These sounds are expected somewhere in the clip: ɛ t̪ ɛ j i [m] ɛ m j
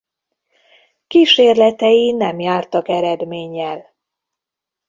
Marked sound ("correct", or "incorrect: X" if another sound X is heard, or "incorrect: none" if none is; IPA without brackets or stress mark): incorrect: n